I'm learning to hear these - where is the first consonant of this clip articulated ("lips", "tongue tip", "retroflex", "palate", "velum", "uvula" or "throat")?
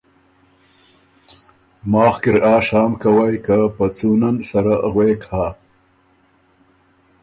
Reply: lips